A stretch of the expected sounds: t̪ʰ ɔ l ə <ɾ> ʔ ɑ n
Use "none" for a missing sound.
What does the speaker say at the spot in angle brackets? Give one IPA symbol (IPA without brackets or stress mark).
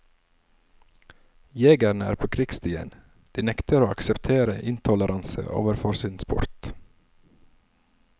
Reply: ɾ